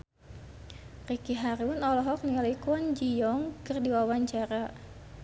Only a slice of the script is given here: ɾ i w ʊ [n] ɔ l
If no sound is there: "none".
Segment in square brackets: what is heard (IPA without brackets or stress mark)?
n